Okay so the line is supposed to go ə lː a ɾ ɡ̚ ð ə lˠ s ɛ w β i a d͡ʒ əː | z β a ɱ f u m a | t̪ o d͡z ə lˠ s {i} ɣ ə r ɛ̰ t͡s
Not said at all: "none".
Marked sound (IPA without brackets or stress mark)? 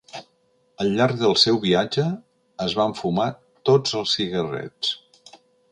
i